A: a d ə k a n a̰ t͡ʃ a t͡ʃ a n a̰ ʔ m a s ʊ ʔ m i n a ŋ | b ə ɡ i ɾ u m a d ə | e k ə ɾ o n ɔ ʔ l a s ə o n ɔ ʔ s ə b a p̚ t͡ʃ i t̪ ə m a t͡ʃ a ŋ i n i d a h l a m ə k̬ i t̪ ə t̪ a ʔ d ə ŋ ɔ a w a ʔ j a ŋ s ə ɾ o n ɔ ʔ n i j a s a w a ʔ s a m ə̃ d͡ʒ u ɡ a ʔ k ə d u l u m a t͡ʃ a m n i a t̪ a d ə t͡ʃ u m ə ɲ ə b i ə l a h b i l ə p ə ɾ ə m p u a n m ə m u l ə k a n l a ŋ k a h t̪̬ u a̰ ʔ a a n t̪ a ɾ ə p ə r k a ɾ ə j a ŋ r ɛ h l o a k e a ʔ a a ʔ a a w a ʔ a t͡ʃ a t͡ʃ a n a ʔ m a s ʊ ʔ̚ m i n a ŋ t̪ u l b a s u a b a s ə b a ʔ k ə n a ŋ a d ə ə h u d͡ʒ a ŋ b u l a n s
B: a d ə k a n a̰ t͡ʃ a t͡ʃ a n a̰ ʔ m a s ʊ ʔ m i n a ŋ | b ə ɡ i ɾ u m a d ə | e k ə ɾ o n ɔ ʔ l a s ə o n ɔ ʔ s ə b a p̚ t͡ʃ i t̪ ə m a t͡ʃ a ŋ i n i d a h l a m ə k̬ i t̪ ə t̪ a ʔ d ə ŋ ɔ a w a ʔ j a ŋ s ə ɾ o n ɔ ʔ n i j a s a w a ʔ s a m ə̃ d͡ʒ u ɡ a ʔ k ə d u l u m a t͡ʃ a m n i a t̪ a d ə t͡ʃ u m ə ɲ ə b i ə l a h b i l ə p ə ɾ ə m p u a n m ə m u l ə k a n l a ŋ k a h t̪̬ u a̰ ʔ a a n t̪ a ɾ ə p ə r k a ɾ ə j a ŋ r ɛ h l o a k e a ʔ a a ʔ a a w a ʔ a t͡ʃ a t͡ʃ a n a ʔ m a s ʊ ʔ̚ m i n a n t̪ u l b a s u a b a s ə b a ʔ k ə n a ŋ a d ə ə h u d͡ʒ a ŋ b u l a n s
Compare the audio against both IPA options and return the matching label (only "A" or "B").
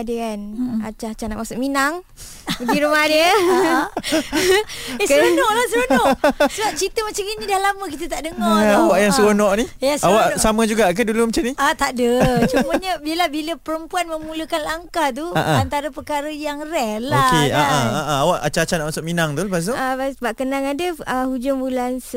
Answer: A